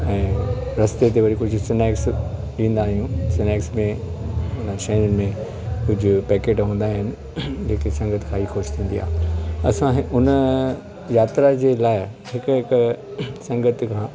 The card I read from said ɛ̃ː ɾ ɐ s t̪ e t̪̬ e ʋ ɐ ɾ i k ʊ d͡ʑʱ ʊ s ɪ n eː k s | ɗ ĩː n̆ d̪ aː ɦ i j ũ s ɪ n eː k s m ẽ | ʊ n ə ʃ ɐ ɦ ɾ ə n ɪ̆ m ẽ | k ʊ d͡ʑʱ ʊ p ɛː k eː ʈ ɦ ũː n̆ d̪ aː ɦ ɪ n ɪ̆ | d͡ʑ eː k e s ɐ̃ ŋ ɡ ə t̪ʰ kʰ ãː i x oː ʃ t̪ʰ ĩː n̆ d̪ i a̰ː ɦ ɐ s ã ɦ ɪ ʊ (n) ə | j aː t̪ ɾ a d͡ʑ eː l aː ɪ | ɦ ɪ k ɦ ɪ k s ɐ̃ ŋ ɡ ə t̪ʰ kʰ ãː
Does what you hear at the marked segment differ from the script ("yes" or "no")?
no